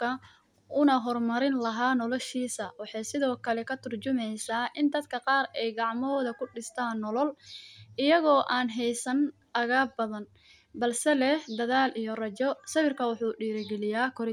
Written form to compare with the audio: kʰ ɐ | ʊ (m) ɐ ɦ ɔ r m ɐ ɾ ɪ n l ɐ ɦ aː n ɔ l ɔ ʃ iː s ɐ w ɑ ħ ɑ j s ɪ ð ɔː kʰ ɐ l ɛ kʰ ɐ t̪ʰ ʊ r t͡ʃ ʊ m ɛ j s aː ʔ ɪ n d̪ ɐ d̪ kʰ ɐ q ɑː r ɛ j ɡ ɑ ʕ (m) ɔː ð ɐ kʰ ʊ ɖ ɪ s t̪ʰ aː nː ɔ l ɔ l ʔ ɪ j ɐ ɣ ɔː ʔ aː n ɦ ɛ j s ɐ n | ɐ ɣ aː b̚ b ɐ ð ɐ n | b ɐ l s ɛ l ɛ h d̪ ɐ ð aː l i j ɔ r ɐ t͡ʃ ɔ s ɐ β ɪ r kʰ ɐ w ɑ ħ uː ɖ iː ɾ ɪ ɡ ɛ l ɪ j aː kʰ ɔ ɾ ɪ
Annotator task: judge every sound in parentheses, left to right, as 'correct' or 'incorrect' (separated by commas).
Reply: incorrect, correct